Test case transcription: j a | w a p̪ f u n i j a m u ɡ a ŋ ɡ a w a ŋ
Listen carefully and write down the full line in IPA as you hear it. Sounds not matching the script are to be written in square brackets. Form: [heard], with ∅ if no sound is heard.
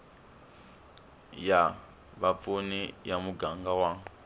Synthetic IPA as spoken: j a | [β] a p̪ f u n i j a m u ɡ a ŋ ɡ a w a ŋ